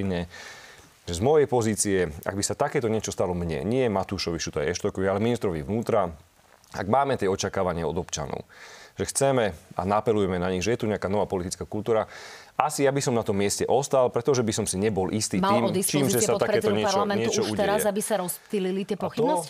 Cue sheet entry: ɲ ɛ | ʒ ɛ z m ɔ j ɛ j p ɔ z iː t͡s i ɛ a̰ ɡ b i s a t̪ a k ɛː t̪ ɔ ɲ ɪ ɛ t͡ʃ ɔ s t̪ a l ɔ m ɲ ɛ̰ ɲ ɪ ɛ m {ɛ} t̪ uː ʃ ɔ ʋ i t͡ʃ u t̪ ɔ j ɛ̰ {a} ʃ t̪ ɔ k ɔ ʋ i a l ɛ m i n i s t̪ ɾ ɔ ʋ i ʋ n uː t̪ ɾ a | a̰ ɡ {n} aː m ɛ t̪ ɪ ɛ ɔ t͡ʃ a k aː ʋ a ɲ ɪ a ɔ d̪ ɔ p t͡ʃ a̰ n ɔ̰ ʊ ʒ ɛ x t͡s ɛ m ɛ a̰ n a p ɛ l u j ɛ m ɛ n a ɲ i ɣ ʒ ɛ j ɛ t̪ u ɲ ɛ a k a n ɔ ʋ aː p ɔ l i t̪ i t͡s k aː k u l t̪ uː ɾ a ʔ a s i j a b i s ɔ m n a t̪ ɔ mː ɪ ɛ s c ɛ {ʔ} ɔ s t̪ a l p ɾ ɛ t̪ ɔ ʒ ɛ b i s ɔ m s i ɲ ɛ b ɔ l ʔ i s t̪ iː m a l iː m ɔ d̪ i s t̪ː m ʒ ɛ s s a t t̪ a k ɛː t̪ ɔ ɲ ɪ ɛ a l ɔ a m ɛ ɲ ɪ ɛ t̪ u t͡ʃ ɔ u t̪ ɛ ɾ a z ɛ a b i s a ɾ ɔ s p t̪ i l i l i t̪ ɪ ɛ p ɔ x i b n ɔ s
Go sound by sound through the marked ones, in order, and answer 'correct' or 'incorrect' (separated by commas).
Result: incorrect, incorrect, incorrect, correct